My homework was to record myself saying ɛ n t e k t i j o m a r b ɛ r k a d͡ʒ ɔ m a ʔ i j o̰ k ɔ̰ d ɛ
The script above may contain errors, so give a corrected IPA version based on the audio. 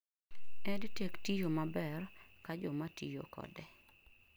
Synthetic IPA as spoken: ɛ d t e k t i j o m a b ɛ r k a d͡ʒ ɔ m a t i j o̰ k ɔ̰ d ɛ